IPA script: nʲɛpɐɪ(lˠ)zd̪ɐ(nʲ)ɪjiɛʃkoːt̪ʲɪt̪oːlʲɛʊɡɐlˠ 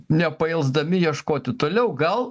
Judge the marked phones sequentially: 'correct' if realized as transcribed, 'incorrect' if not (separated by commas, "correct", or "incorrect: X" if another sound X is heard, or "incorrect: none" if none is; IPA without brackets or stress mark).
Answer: correct, incorrect: mʲ